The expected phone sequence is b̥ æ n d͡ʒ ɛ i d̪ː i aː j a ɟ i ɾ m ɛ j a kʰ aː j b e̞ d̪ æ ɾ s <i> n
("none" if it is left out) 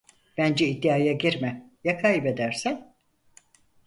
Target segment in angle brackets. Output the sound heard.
æ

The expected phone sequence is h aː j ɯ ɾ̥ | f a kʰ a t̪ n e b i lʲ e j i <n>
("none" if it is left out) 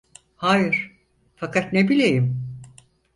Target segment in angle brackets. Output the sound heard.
m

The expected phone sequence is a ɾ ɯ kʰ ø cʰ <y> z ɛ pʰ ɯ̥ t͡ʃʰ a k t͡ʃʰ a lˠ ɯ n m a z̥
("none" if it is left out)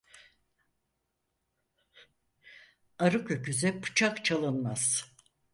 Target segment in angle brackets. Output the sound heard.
y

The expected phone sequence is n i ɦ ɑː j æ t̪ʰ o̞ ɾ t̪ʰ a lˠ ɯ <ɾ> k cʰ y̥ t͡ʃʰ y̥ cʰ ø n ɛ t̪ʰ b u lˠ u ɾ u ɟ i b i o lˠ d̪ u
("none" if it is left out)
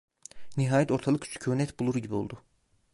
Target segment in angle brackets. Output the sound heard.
none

